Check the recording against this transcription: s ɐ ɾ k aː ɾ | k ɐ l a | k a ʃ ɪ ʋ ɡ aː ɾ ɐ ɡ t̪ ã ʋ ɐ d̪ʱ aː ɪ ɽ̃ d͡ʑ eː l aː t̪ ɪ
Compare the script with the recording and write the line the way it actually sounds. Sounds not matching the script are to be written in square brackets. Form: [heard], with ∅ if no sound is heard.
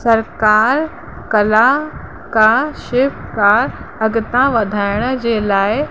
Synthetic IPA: s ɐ ɾ k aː ɾ | k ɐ l a | k a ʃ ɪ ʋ [k] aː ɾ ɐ ɡ t̪ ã ʋ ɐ d̪ʱ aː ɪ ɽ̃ d͡ʑ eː l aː [∅] ɪ